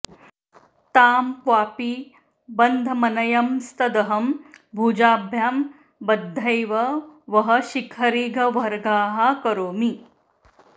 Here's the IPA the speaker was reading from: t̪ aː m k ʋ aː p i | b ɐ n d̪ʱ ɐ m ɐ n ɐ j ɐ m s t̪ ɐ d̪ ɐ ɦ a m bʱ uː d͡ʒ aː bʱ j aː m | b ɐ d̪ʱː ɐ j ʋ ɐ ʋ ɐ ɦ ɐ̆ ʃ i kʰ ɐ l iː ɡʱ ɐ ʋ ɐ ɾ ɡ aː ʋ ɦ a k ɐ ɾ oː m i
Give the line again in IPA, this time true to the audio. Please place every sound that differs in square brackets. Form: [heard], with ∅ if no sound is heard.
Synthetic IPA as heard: t̪ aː m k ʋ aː p i | b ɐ n d̪ʱ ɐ m ɐ n ɐ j ɐ m s t̪ ɐ d̪ ɐ ɦ [ɐ] m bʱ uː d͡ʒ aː bʱ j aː m | b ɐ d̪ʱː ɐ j ʋ ɐ ʋ ɐ ɦ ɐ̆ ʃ i kʰ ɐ [ɾ] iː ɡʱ ɐ ʋ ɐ ɾ ɡ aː [∅] ɦ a k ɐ ɾ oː m i

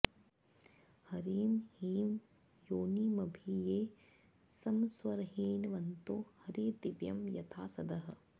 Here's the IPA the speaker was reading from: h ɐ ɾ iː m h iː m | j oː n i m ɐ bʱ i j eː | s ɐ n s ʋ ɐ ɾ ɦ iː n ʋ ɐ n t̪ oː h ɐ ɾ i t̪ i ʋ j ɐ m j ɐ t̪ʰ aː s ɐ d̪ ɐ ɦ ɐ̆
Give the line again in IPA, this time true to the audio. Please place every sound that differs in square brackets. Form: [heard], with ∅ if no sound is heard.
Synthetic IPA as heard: h ɐ ɾ iː m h iː m | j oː n i m ɐ bʱ i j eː | s ɐ [m] s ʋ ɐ ɾ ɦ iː n ʋ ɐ n t̪ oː h ɐ ɾ i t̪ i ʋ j ɐ m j ɐ t̪ʰ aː s ɐ d̪ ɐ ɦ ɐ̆

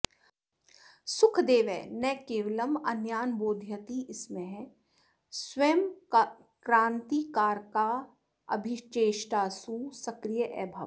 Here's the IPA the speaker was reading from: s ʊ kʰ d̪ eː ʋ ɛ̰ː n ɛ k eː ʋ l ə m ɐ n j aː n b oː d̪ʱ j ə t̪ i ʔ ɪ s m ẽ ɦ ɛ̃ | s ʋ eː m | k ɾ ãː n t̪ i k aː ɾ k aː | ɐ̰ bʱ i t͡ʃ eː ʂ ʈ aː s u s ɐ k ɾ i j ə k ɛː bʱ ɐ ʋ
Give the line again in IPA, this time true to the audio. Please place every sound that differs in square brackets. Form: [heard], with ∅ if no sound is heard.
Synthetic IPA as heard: s ʊ kʰ d̪ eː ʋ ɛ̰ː n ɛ k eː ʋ l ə m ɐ n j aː n b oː d̪ʱ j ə t̪ i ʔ ɪ s m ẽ ɦ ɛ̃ | s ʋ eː m | k ɾ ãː n t̪ i k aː ɾ k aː | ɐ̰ bʱ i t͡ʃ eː [ʃ] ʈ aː s u s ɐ k ɾ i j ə [ʔ] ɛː bʱ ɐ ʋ

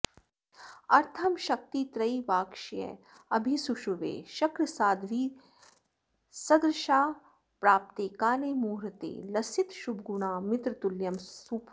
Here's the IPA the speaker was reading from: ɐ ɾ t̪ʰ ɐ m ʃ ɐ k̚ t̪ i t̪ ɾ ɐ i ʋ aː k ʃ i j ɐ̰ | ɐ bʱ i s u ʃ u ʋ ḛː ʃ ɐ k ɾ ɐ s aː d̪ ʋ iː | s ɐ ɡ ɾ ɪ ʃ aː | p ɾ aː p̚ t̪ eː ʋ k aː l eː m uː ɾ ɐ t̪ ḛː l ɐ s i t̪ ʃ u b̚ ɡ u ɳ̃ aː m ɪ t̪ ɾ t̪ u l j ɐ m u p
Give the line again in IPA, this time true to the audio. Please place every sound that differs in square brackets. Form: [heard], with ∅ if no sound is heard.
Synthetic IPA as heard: ɐ ɾ t̪ʰ ɐ m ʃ ɐ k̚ t̪ i t̪ ɾ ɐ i ʋ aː k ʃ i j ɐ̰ | ɐ bʱ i s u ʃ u ʋ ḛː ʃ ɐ k ɾ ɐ s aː d̪ ʋ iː | s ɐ ɡ ɾ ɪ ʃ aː | p ɾ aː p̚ t̪ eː [∅] k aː l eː m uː ɾ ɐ t̪ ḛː l ɐ s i t̪ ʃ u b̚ ɡ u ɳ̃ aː m ɪ t̪ ɾ t̪ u l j ɐ m u p

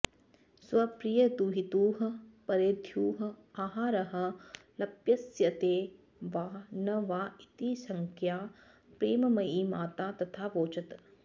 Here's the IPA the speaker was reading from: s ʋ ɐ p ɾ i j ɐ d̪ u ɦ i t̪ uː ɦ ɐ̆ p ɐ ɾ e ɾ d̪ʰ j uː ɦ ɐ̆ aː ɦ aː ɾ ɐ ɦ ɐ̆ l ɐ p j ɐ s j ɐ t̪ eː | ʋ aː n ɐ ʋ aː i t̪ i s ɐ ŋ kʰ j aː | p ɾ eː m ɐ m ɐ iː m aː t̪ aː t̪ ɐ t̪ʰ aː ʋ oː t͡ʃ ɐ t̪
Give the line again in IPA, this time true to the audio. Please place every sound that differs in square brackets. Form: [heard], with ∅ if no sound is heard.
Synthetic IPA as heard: s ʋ ɐ p ɾ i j ɐ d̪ u ɦ i t̪ uː ɦ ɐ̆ p ɐ ɾ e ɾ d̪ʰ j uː ɦ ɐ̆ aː ɦ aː ɾ ɐ ɦ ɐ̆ l ɐ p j ɐ s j ɐ t̪ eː | ʋ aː n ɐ ʋ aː i t̪ i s ɐ ŋ kʰ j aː | p ɾ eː m ɐ m ɐ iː m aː t̪ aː t̪ ɐ t̪ʰ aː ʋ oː t͡ʃ ɐ t̪

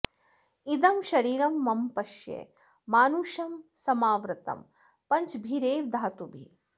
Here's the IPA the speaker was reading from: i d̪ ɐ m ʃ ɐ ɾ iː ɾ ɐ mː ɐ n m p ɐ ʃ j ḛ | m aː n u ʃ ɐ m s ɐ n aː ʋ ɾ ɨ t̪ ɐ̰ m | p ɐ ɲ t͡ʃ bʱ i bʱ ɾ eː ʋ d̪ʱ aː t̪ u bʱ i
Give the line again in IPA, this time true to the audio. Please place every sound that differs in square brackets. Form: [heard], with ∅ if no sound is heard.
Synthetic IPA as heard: i d̪ ɐ m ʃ ɐ ɾ iː ɾ ɐ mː ɐ [∅] m p ɐ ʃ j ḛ | m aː n u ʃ ɐ m s ɐ [m] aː ʋ ɾ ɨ t̪ ɐ̰ m | p ɐ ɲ t͡ʃ bʱ i [∅] ɾ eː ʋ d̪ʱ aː t̪ u bʱ i

